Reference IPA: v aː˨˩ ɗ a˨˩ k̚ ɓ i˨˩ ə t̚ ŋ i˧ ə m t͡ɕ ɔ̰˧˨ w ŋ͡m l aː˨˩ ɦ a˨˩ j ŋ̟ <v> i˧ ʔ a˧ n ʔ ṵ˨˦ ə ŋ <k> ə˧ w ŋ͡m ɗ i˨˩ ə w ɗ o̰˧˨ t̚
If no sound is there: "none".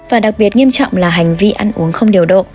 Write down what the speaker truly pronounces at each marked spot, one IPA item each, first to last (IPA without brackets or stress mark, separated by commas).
v, x